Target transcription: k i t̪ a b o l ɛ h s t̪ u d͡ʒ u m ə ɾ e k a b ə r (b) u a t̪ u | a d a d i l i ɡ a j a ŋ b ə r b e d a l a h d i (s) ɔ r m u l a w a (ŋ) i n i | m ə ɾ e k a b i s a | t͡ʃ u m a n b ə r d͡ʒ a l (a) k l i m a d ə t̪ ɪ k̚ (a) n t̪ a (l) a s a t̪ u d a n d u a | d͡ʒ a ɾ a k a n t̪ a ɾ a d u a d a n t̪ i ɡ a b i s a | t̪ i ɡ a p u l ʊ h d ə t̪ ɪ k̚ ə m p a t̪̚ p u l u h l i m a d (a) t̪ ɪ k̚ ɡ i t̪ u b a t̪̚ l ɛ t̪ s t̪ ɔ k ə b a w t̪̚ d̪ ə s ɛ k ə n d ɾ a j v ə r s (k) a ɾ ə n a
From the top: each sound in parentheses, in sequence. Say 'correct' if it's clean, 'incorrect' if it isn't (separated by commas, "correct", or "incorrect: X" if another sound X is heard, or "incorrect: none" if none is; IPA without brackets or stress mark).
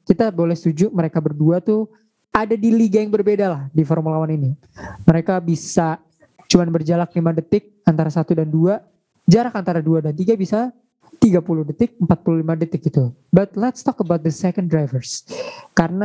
incorrect: d, incorrect: f, incorrect: n, correct, correct, incorrect: ɾ, incorrect: ə, correct